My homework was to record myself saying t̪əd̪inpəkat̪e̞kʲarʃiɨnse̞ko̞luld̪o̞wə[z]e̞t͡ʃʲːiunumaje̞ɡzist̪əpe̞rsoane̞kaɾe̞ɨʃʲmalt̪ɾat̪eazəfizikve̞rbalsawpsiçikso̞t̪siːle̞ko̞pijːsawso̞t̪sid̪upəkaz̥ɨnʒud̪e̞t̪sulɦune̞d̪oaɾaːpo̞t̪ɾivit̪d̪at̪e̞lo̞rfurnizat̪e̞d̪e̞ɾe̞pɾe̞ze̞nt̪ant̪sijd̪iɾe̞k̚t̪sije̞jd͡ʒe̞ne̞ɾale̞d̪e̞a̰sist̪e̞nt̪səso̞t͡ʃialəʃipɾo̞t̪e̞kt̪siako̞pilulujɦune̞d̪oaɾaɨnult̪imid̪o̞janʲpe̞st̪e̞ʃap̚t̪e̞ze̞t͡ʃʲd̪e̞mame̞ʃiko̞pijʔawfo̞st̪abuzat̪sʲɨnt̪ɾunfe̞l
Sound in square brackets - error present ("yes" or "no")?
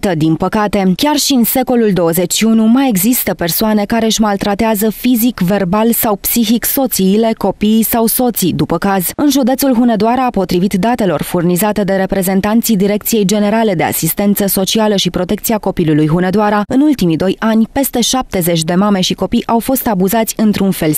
no